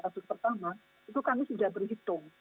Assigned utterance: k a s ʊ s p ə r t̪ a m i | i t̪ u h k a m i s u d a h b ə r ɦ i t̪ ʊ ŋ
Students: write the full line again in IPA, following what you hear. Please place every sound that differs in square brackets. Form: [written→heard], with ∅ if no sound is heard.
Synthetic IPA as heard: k a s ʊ s p ə r t̪ a m [i→a] | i t̪ u [h→∅] k a m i s u d a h b ə r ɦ i t̪ ʊ ŋ